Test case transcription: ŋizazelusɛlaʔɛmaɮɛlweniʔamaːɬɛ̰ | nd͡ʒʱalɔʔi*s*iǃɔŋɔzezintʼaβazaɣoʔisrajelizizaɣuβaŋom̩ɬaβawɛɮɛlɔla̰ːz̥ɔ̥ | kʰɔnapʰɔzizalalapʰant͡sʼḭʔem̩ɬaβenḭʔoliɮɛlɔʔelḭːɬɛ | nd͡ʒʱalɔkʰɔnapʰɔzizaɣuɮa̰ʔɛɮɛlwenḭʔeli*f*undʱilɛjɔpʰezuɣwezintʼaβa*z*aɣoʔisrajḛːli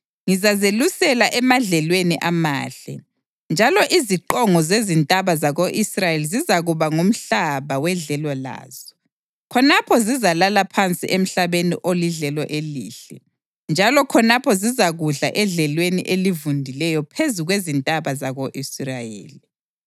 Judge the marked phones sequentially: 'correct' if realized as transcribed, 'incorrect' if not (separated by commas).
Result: incorrect, incorrect, correct